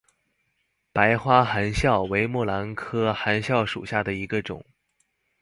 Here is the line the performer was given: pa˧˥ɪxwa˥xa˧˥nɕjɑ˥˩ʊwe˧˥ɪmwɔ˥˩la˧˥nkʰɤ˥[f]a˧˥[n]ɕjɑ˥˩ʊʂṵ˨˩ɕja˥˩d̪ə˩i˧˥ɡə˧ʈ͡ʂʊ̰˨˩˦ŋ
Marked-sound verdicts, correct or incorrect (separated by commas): incorrect, correct